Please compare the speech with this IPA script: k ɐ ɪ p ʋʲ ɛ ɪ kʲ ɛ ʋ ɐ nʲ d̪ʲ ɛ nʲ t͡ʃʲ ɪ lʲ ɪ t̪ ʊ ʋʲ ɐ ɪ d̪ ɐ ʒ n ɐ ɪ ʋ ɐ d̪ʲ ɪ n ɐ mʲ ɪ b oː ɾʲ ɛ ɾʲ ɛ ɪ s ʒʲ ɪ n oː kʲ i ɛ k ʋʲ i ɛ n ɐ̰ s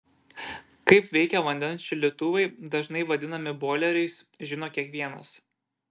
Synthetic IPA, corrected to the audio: k ɐ ɪ p ʋʲ ɛ ɪ kʲ ɛ ʋ ɐ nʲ d̪ʲ ɛ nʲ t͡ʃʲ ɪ lʲ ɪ t̪ ʊ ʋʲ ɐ ɪ d̪ ɐ ʒ n ɐ ɪ ʋ ɐ d̪ʲ ɪ n ɐ mʲ ɪ b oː lʲ ɛ ɾʲ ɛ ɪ s ʒʲ ɪ n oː kʲ i ɛ k ʋʲ i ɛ n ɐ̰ s